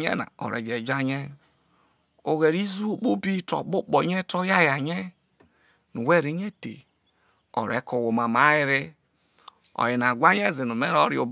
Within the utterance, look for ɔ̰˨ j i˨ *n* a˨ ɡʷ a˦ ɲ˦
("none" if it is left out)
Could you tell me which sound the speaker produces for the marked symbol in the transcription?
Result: n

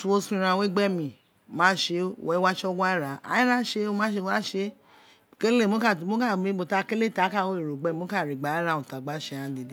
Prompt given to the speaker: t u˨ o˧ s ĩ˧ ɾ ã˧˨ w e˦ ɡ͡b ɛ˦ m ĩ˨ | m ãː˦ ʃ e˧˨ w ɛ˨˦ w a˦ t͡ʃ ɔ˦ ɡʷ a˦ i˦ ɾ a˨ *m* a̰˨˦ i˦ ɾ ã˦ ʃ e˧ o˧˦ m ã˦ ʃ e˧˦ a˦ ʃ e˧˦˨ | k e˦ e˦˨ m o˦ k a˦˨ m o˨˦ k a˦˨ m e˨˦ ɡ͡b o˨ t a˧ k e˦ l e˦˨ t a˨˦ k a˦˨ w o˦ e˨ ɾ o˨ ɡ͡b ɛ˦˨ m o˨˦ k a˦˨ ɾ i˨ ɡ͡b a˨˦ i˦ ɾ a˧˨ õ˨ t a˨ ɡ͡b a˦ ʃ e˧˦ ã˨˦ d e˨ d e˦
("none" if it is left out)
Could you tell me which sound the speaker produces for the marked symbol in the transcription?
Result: none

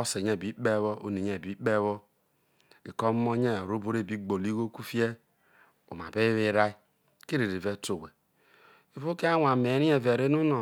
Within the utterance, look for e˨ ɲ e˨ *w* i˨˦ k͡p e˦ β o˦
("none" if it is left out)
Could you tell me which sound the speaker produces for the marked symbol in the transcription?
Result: b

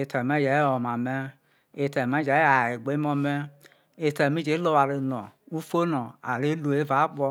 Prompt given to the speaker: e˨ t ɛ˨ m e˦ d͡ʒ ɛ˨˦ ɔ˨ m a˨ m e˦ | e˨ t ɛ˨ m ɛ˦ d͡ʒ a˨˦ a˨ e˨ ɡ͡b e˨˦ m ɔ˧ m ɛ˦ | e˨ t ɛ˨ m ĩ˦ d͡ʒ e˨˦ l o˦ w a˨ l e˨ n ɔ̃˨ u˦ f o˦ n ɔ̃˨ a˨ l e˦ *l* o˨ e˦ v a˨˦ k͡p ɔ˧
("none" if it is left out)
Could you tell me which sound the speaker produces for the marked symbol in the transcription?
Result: l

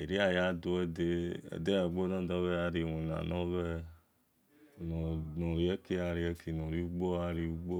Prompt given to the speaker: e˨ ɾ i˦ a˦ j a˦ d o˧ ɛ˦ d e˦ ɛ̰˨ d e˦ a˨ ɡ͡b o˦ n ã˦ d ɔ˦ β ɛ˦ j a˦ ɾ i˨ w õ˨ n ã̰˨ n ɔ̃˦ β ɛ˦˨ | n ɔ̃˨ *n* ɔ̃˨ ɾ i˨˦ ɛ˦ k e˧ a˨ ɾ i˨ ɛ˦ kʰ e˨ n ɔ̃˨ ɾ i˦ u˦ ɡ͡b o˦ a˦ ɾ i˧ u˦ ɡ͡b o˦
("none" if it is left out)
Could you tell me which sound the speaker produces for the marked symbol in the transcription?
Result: n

